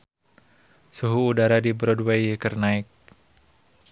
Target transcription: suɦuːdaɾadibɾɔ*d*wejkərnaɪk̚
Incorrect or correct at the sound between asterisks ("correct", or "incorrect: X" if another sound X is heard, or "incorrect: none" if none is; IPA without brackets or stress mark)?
correct